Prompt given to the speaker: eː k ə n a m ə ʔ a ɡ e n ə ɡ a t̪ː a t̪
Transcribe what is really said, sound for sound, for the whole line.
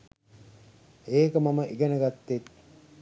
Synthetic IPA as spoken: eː k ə m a m ə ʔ i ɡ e n ə ɡ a t̪ː e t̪